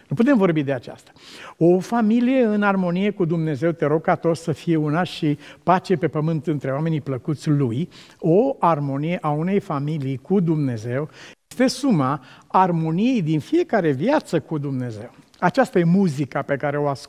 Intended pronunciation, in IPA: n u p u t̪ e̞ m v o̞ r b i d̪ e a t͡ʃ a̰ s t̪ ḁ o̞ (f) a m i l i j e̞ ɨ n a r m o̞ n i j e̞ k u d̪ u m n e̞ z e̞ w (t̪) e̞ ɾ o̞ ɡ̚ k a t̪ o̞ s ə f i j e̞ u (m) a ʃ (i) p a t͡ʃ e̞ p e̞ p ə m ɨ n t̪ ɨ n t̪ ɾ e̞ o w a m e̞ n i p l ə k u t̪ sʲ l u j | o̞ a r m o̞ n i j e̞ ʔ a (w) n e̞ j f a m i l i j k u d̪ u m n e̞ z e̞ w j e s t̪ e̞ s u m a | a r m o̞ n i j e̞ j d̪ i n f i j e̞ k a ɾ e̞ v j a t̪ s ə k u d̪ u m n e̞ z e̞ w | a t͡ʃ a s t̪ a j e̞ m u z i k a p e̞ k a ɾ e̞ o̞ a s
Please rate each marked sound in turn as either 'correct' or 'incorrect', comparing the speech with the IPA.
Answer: correct, correct, incorrect, correct, incorrect

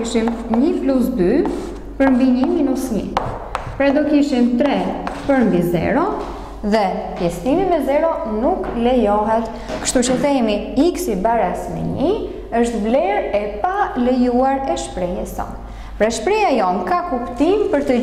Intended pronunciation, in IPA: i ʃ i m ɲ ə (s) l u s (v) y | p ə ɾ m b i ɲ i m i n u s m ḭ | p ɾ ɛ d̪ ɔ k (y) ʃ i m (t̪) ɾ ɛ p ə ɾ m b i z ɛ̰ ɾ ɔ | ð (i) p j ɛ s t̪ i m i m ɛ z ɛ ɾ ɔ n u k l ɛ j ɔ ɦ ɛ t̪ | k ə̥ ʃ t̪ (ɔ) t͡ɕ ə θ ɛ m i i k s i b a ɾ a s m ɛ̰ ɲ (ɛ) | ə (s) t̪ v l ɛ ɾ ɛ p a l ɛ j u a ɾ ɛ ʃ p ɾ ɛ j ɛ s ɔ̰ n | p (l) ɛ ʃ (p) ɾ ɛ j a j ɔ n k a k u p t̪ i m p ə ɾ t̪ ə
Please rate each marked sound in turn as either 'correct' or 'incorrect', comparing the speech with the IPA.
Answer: incorrect, incorrect, incorrect, correct, incorrect, incorrect, incorrect, incorrect, incorrect, correct

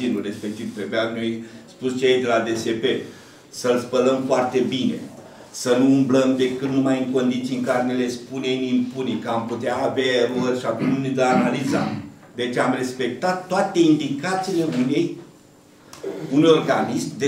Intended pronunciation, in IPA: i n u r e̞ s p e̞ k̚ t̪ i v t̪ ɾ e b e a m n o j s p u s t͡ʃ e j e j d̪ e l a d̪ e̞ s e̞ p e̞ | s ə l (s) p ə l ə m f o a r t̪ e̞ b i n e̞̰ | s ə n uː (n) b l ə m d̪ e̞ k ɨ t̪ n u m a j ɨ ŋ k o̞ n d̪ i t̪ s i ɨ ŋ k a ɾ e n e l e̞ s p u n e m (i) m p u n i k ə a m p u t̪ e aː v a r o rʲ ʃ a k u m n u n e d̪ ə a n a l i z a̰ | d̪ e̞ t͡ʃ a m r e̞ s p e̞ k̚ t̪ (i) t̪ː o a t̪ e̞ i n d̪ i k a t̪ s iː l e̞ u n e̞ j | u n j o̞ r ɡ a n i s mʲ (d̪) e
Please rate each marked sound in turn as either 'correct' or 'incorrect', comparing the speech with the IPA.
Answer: correct, incorrect, correct, incorrect, correct

